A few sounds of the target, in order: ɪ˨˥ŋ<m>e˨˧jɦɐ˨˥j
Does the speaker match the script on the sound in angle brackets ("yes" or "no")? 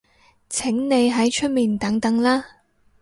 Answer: no